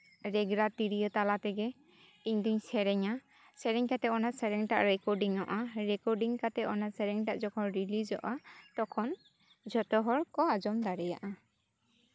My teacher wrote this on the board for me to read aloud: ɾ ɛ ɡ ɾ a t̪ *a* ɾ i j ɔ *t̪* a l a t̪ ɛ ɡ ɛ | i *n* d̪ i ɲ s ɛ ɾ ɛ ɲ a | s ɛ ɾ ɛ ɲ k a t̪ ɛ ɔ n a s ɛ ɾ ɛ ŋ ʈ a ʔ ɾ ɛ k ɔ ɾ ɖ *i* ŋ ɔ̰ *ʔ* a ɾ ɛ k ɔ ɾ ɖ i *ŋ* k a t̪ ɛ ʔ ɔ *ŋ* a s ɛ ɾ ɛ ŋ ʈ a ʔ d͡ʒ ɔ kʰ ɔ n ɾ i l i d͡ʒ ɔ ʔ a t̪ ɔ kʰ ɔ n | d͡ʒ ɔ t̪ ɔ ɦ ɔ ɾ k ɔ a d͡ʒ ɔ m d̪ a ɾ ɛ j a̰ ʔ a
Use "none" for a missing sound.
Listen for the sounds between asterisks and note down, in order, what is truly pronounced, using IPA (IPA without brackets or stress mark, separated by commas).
i, t̪, ɲ, i, ʔ, ŋ, n